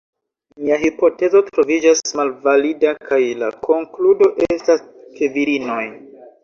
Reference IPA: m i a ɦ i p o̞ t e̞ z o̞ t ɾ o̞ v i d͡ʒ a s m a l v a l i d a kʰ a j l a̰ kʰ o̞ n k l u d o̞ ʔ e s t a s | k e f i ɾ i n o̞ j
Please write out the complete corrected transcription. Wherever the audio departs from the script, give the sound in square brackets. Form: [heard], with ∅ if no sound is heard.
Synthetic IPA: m i a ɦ i p o̞ t e̞ z o̞ t ɾ o̞ v i d͡ʒ a s m a l v a l i d a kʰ a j l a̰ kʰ o̞ [ŋ] k l u d o̞ ʔ e s t a s | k e [v] i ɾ i n o̞ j